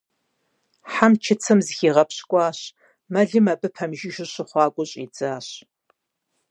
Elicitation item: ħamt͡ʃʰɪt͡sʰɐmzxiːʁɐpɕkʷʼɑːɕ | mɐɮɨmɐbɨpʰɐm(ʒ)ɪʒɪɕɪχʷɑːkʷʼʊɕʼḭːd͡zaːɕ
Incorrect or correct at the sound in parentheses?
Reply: correct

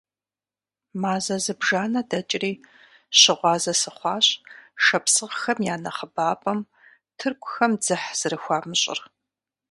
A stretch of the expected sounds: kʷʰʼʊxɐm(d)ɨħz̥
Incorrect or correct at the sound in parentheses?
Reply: incorrect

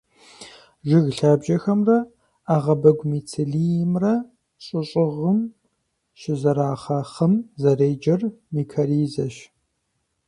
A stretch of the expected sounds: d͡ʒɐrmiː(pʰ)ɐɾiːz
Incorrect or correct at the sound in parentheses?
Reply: incorrect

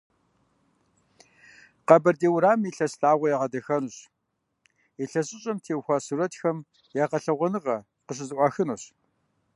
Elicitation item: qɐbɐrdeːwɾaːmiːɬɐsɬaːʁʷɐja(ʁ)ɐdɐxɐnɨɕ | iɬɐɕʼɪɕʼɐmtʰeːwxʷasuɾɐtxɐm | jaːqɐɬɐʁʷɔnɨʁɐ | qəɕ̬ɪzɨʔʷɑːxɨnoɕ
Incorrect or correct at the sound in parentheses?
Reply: correct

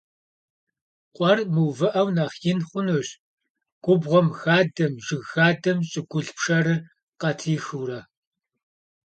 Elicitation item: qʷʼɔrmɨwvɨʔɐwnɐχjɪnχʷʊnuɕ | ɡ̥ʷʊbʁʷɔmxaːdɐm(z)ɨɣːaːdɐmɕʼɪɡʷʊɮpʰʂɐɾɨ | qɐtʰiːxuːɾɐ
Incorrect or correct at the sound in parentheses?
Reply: incorrect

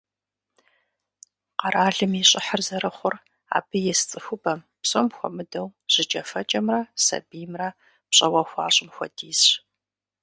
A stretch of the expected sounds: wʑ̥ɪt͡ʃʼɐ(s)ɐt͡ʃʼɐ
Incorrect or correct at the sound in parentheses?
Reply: incorrect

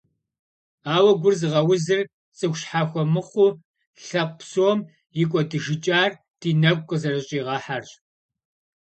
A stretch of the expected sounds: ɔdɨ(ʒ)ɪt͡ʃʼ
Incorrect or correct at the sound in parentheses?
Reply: correct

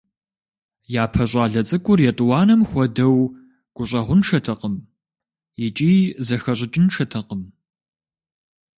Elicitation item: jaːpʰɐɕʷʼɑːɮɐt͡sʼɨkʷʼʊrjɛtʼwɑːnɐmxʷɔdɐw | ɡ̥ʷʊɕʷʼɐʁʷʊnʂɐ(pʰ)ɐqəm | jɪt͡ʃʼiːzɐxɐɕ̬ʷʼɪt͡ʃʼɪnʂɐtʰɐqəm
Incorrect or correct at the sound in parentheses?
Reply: incorrect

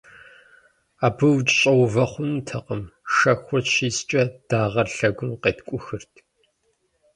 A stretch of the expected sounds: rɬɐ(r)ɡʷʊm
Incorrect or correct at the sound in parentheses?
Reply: incorrect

